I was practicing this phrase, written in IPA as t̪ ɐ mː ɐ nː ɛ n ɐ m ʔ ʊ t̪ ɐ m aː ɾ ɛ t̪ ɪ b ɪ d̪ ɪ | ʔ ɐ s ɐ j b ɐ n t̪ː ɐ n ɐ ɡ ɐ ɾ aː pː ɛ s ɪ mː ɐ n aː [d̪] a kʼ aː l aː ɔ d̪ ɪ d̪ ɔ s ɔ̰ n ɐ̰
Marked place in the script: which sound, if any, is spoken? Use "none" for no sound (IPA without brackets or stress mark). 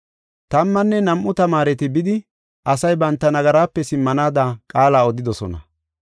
d̪